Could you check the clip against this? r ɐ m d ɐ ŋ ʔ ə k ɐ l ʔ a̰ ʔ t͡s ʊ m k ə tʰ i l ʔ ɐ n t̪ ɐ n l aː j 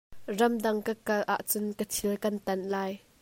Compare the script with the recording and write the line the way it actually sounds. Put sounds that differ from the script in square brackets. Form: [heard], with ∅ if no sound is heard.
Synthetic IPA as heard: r ɐ m d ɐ ŋ [k] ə k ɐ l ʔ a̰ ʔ t͡s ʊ [n] k ə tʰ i l [k] ɐ n t̪ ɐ n l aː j